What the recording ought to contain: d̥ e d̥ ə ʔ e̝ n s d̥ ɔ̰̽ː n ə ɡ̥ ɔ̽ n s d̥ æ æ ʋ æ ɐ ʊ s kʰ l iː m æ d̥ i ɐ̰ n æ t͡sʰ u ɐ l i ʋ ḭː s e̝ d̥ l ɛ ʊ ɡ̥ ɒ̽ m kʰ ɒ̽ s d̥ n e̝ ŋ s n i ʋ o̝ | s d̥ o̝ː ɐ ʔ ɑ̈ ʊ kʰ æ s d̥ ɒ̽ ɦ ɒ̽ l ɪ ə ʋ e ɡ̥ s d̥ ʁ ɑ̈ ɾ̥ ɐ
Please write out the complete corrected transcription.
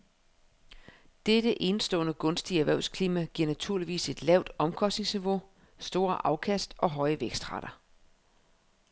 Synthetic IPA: d̥ e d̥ ə ʔ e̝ n s d̥ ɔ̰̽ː n ə ɡ̥ ɔ̽ n s d̥ i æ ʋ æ ɐ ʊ s kʰ l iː m æ ɡ̥ i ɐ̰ n æ t͡sʰ u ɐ l i ʋ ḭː s e̝ d̥ l ɛ ʊ d̥ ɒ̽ m kʰ ɒ̽ s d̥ n e̝ ŋ s n i ʋ o̝ | s d̥ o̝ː ɐ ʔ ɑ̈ ʊ kʰ æ s d̥ ɒ̽ ɦ ɒ̽ ɪ ə ʋ e ɡ̥ s d̥ ʁ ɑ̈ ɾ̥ ɐ